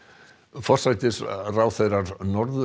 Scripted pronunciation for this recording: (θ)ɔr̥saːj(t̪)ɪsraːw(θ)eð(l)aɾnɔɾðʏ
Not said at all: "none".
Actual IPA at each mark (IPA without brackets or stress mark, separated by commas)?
f, t̪, θ, ɾ